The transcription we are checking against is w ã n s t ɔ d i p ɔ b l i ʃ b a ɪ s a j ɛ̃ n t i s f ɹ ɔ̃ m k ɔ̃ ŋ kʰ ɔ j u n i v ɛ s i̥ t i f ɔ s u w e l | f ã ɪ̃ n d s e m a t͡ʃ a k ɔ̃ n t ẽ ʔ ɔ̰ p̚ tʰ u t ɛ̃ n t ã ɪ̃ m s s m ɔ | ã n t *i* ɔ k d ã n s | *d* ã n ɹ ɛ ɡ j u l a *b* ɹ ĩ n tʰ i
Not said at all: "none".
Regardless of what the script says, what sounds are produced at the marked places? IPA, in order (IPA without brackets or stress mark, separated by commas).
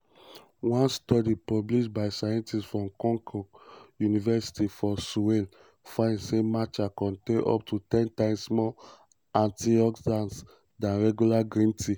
i, d, ɡ